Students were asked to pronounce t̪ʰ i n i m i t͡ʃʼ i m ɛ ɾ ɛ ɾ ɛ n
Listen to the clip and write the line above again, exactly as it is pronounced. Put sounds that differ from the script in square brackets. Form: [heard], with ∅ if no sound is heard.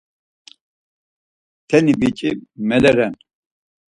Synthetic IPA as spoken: t̪ʰ [ɛ] n i [b] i t͡ʃʼ i m ɛ [l] ɛ ɾ ɛ n